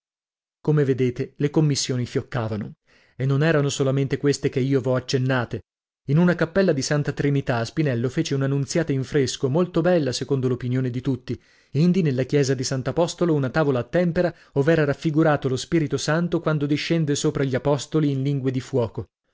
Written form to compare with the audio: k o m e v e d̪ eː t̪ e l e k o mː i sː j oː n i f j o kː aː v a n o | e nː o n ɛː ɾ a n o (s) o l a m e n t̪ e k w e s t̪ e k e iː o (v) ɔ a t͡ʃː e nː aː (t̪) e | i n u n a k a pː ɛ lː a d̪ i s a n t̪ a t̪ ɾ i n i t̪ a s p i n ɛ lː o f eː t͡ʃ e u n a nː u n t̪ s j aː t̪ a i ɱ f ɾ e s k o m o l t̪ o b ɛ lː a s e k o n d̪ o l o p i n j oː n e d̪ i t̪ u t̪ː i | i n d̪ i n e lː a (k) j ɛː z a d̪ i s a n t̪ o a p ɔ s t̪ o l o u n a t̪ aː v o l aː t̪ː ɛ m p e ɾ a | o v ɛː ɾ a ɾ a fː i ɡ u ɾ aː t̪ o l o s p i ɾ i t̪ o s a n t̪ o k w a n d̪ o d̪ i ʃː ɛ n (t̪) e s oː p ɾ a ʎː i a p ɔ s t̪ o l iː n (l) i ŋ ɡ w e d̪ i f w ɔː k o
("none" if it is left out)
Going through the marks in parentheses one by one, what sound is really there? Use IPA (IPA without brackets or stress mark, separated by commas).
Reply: s, v, t̪, k, d̪, l